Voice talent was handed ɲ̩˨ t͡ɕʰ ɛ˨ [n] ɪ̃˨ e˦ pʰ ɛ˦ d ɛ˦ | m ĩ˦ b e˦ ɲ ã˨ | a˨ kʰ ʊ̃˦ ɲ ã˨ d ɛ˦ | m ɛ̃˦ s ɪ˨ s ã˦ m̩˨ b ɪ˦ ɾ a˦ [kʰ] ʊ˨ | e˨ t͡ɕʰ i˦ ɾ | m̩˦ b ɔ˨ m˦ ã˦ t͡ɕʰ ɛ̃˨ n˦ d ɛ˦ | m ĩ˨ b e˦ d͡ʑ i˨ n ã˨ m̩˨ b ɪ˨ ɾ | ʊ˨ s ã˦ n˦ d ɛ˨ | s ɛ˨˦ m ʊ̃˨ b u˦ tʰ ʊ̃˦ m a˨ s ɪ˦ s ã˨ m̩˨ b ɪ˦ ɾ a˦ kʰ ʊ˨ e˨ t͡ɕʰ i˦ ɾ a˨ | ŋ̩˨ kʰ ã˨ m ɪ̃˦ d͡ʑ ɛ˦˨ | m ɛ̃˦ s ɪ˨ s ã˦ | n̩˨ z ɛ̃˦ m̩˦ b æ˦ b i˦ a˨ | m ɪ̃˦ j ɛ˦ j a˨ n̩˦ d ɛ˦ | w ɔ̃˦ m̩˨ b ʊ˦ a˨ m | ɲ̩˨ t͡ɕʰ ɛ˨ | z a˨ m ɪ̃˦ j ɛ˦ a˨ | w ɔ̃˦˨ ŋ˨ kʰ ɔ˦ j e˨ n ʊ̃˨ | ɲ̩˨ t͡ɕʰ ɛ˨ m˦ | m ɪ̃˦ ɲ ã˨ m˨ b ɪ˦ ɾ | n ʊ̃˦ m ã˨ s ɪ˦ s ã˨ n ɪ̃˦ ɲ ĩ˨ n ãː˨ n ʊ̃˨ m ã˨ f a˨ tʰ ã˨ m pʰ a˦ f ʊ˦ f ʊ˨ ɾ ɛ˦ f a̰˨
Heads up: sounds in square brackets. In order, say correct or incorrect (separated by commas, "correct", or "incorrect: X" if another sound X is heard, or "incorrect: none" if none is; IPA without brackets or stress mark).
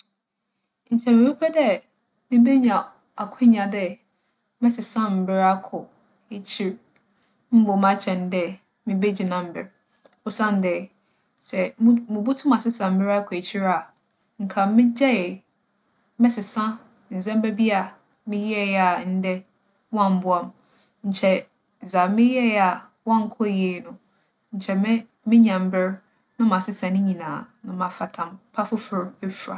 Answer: incorrect: m, correct